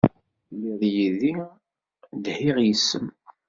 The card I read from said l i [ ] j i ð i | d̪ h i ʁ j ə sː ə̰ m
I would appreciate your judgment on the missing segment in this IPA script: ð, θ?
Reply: ð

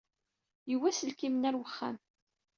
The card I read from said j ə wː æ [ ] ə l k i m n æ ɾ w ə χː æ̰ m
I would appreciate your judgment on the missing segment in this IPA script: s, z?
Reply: s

